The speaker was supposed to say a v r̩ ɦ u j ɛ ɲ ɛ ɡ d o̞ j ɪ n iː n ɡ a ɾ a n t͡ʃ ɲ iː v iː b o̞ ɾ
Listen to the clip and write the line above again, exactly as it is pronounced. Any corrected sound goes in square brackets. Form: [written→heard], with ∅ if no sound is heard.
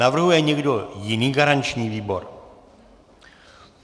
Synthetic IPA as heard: a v r̩ ɦ u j ɛ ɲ ɛ ɡ d o̞ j ɪ n iː [n→∅] ɡ a ɾ a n t͡ʃ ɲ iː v iː b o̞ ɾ